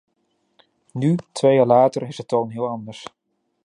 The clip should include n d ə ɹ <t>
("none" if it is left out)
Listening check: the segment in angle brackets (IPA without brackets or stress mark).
s